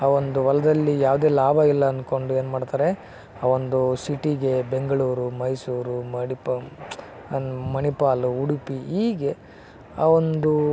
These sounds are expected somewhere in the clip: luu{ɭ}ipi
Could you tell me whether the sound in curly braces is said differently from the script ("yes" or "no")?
yes